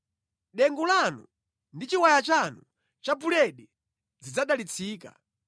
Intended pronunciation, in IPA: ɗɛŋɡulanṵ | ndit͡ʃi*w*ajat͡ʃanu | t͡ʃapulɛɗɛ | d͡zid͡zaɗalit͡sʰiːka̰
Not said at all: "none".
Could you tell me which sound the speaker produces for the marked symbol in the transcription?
w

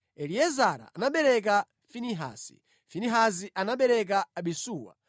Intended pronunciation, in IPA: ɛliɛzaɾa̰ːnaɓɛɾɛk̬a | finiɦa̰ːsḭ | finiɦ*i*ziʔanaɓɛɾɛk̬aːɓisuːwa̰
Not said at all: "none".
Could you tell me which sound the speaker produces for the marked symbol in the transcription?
a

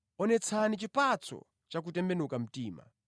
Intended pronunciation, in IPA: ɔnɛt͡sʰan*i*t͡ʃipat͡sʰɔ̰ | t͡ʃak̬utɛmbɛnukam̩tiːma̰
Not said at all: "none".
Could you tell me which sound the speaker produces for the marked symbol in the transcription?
i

